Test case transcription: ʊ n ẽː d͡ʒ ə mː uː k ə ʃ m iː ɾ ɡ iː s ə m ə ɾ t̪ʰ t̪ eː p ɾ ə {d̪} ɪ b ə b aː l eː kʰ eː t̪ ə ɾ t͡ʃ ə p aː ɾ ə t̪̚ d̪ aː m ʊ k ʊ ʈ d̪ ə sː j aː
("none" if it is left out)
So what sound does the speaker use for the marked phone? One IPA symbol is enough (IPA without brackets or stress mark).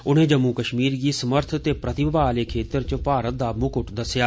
t̪